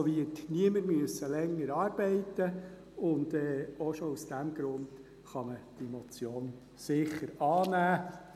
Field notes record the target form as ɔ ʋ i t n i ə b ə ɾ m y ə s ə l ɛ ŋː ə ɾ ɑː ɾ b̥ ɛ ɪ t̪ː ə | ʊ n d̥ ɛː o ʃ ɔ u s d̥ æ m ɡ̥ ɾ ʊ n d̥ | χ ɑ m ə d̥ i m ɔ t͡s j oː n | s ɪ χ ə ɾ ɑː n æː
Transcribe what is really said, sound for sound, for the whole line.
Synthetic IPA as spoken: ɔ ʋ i t n i ə m ə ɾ m y ə s ə l ɛ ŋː ə ɾ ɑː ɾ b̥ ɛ ɪ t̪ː ə | ʊ n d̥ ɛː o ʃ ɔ u s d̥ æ m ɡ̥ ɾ ʊ n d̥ | χ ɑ m ə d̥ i m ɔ t͡s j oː n | s ɪ χ ə ɾ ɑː n æː

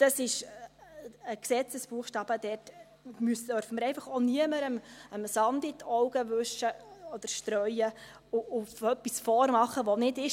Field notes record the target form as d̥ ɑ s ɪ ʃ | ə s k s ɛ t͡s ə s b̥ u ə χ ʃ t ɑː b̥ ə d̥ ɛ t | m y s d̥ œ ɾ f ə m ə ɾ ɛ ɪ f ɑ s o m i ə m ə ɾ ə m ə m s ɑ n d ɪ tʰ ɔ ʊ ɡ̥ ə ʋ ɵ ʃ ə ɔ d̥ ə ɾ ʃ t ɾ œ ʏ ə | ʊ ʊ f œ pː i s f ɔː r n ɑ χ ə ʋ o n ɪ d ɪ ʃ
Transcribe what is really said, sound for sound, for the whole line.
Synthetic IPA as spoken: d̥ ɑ s ɪ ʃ | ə k s ɛ t͡s ə s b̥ u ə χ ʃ t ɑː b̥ ə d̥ ɛ t | m y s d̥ œ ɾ f ə m ə ɾ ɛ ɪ f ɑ χ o n i ə m ə ɾ ə m ə m s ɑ n d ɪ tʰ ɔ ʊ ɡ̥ ə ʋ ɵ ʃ ə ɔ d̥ ə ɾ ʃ t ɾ œ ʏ ə | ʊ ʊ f œ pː i s f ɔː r m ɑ χ ə ʋ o n ɪ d ɪ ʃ

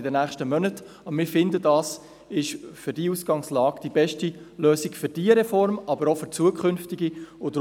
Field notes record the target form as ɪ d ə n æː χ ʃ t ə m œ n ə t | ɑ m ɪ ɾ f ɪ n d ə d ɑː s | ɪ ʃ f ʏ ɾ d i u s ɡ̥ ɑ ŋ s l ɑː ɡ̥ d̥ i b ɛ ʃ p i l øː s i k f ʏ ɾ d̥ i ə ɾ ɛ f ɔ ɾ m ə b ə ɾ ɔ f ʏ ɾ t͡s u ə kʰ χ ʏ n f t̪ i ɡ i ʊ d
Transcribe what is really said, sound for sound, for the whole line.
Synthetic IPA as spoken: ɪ d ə n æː χ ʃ t ə m œ n ə t | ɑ m ɪ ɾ f ɪ n d ə d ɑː s | ɪ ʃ f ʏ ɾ d i u s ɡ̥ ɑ ŋ s l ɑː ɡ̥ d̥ i b ɛ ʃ t i l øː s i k f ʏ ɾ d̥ i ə ɾ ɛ f ɔ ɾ m ɑ b ə ɾ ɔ f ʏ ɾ t͡s u ə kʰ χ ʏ n f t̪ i ɡ i ʊ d

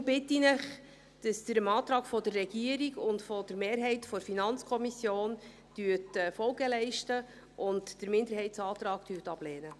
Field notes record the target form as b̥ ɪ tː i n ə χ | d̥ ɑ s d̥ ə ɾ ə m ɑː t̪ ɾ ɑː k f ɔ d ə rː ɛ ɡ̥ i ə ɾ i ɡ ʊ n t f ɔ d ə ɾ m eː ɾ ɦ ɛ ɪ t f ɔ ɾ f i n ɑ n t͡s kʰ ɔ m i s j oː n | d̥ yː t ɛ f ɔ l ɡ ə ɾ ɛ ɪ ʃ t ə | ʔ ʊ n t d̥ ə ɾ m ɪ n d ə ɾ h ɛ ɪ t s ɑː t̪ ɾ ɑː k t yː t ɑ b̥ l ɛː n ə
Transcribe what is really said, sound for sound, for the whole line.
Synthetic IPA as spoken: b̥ ɪ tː i n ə χ | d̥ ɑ s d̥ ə ɾ ə m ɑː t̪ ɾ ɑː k f ɔ d ə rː ɛ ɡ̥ i ə ɾ i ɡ ʊ n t f ɔ d ə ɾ m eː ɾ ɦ ɛ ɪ t f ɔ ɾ f i n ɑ n t͡s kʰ ɔ m i s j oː n | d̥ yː t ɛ f ɔ l ɡ ə l ɛ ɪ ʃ t ə | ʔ ʊ n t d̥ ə ɾ m ɪ n d ə ɾ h ɛ ɪ t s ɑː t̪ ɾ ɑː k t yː t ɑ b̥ l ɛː n ə

